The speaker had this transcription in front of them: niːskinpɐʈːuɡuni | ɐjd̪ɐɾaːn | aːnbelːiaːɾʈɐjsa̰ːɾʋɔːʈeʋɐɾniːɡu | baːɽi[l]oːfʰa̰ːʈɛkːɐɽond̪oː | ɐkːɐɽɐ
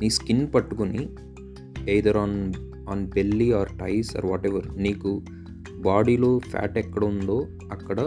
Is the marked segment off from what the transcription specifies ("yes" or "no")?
no